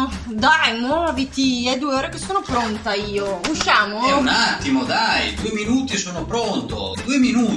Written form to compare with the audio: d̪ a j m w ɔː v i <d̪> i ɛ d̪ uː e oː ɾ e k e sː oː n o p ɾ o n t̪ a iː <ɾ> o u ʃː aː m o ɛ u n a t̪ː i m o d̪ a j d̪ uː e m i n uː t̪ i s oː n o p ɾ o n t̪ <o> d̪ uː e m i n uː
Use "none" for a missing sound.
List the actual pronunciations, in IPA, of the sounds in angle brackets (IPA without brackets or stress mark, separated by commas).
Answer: t̪, none, o